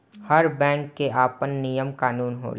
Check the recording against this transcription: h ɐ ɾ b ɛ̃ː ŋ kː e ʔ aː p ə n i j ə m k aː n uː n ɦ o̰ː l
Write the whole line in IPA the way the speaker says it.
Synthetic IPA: h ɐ ɾ b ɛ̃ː ŋ kː e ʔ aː p ə nː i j ə m k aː n uː n ɦ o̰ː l